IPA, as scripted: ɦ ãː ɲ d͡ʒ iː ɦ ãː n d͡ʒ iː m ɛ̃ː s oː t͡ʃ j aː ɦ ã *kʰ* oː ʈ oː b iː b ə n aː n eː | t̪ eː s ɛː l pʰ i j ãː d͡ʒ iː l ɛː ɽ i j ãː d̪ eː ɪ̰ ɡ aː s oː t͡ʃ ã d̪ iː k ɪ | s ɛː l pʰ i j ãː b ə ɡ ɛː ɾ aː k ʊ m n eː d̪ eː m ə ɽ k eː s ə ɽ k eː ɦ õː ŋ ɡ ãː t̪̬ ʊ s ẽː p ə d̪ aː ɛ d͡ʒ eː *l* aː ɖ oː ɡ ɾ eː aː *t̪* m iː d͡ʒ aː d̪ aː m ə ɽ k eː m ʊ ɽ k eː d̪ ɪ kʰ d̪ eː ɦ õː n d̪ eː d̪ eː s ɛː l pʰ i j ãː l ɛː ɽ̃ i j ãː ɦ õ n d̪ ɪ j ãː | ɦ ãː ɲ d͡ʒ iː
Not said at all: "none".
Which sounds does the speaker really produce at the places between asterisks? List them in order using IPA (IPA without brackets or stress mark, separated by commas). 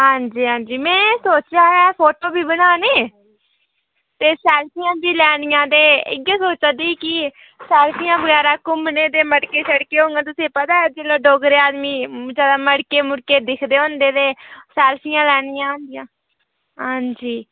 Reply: pʰ, l, d̪